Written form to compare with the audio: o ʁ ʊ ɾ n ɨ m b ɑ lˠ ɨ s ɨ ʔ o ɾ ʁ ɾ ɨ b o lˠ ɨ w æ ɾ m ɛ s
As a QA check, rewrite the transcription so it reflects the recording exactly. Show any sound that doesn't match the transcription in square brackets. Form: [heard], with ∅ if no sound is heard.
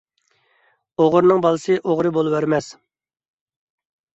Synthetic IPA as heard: o ʁ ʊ ɾ n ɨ [ŋ] b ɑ lˠ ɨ s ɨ ʔ o [∅] ʁ ɾ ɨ b o lˠ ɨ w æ ɾ m ɛ s